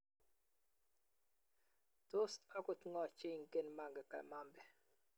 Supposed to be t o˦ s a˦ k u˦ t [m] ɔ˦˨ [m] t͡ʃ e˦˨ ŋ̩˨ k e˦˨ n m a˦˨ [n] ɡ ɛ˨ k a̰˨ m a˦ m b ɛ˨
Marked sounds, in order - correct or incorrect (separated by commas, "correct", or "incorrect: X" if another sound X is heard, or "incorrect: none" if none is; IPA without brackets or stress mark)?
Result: incorrect: ŋ, incorrect: none, incorrect: ŋ